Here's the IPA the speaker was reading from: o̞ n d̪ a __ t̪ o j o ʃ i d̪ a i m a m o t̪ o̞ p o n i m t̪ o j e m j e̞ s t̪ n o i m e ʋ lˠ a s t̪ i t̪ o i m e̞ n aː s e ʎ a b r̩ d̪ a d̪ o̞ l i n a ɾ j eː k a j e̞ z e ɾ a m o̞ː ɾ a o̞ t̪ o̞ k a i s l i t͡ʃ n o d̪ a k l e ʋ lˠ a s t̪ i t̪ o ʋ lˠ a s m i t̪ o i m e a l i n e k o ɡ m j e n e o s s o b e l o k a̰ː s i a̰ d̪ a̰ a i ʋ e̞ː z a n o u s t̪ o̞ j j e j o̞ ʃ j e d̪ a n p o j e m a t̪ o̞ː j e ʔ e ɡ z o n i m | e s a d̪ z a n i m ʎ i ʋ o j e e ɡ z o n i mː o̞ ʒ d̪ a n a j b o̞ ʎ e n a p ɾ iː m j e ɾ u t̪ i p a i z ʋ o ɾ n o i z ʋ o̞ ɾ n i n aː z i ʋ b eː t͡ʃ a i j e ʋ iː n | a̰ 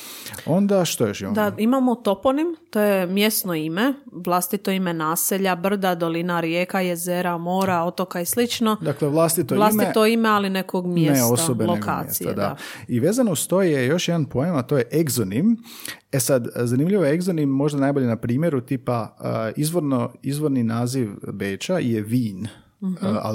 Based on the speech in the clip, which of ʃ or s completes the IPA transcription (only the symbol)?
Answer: ʃ